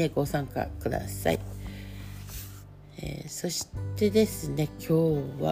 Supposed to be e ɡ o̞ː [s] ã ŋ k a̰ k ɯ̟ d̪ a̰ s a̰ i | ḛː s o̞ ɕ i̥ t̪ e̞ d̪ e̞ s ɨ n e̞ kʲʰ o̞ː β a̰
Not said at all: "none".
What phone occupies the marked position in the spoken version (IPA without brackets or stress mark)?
s